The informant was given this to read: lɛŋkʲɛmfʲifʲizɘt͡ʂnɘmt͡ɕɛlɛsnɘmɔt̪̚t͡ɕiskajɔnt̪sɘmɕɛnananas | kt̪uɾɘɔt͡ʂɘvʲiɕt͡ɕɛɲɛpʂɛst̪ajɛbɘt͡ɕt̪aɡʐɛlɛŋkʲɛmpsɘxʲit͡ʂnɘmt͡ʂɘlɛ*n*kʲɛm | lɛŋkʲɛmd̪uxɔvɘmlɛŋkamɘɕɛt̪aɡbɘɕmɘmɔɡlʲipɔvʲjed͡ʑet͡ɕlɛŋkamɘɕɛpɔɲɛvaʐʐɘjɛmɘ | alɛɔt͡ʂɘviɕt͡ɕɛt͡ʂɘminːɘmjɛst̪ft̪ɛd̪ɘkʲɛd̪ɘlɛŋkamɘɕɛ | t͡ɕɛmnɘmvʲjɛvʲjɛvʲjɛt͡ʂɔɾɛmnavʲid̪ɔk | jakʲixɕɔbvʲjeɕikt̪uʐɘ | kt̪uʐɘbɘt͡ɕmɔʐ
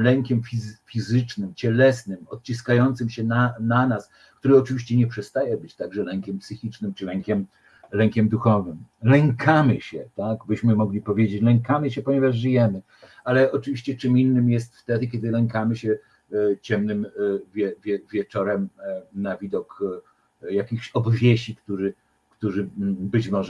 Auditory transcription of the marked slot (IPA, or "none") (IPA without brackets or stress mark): ŋ